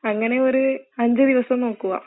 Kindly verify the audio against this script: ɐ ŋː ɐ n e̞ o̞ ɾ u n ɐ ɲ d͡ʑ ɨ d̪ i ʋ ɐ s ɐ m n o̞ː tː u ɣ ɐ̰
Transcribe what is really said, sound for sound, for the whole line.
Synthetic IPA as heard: ɐ ŋː ɐ n e̞ o̞ ɾ u ɐ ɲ d͡ʑ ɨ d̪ i ʋ ɐ s ɐ m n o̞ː kː u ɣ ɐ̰